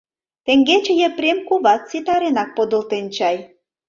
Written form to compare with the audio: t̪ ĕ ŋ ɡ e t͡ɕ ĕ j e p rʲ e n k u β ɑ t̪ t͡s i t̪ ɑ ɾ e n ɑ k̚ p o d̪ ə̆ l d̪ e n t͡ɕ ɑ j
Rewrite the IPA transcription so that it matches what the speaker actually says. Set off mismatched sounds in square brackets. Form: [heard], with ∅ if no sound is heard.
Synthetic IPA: t̪ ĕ ŋ ɡ e t͡ɕ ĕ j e p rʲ e [m] k u β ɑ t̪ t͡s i t̪ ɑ ɾ e n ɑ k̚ p o d̪ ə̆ l [t̪] e n t͡ɕ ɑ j